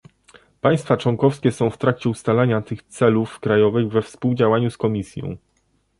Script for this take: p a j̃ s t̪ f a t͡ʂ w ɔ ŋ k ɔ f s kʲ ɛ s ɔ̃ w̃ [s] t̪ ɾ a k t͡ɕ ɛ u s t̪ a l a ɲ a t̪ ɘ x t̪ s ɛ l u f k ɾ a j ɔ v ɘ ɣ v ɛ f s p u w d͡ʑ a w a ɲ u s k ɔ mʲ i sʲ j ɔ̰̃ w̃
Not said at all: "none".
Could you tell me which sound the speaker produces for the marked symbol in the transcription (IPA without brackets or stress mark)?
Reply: f